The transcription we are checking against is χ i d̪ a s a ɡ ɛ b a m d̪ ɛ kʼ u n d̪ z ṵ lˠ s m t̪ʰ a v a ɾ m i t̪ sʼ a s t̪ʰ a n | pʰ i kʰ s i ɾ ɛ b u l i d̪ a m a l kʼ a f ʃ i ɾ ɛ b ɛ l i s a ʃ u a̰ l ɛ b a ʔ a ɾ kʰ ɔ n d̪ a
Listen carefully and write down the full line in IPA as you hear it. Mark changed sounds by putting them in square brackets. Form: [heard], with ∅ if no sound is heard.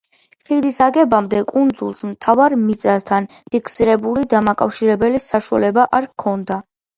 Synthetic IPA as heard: χ i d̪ [i] s a ɡ ɛ b a m d̪ ɛ kʼ u n d̪ z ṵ lˠ s m t̪ʰ a v a ɾ m i t̪ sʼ a s t̪ʰ a n | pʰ i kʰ s i ɾ ɛ b u l i d̪ a m a [∅] kʼ a f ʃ i ɾ ɛ b ɛ l i s a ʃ u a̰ l ɛ b a ʔ a ɾ kʰ ɔ n d̪ a